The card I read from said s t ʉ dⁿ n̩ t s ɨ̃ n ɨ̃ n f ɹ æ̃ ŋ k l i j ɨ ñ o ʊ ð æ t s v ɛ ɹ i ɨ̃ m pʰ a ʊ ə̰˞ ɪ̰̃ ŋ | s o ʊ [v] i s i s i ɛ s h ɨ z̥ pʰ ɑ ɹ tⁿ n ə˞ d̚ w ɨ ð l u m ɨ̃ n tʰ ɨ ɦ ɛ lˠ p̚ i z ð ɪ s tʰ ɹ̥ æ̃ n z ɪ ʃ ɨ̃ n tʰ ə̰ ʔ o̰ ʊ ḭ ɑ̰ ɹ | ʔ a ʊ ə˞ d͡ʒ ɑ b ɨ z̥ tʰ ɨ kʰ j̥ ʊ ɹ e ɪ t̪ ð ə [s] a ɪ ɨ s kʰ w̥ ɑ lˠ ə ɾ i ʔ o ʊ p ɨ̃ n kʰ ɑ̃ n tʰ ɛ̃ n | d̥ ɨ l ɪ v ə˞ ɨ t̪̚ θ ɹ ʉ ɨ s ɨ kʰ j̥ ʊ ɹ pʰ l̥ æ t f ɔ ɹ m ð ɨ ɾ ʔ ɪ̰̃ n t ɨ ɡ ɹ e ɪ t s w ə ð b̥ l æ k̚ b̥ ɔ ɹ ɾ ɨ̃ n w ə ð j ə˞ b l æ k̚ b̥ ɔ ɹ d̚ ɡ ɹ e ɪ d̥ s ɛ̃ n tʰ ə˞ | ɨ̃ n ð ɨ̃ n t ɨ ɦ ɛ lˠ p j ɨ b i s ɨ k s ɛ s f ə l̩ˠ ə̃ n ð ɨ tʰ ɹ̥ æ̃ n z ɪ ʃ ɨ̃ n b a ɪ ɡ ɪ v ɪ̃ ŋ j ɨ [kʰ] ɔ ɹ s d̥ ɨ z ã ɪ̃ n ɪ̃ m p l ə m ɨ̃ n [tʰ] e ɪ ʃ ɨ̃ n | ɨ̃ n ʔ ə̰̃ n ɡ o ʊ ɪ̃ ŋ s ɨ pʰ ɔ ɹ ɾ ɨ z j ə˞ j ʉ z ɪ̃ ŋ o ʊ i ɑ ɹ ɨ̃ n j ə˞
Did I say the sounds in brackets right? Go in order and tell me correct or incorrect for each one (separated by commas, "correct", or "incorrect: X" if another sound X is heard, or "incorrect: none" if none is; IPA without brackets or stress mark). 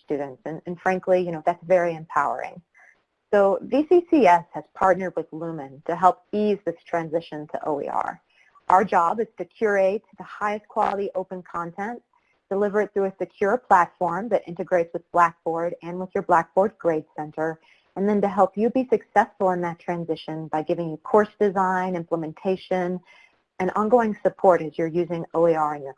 correct, incorrect: h, correct, correct